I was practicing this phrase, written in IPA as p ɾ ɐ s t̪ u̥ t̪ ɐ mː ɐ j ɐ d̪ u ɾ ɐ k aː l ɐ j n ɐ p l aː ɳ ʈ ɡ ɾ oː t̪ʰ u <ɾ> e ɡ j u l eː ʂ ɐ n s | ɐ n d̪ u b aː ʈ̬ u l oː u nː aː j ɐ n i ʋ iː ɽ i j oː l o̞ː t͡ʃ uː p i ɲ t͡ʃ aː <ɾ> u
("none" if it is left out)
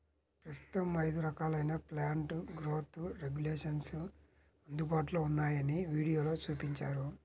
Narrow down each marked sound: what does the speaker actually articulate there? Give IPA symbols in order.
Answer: ɾ, ɾ

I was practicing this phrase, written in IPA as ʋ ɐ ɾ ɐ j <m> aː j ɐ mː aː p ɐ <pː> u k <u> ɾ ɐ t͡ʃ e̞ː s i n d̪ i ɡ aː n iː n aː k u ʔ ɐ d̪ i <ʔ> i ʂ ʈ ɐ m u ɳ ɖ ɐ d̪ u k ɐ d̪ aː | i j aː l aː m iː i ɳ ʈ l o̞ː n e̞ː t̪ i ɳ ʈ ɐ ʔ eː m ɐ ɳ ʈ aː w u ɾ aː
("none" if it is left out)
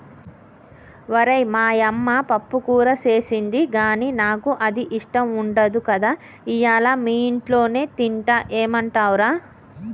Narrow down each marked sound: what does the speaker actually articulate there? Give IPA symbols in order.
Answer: m, pː, uː, ʔ

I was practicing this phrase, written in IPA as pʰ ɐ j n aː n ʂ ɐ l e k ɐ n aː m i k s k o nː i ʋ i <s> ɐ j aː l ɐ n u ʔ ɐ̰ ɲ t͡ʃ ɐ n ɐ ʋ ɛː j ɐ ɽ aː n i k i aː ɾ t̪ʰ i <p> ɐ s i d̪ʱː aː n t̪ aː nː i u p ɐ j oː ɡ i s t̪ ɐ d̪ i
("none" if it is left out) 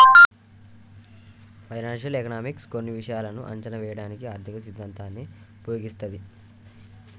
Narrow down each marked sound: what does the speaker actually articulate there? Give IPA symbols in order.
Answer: ʂ, k

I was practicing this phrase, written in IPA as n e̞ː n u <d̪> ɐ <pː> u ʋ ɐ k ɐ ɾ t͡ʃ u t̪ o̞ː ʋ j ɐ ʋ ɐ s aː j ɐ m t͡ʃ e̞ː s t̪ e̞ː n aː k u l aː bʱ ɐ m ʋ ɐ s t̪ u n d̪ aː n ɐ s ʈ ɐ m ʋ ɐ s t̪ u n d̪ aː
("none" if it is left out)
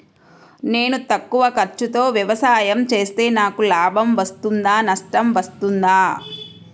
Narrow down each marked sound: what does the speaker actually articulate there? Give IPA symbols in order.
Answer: t̪, kː

